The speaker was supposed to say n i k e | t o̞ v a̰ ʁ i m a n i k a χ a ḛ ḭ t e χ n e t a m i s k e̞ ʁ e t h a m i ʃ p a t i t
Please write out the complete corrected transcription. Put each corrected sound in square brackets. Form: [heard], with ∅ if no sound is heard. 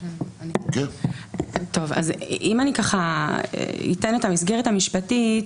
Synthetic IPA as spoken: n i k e | t o̞ v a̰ [z] i m a n i k a χ a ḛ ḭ t e [∅] n e t a m i s [ɡ] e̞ ʁ e t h a m i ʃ p a t i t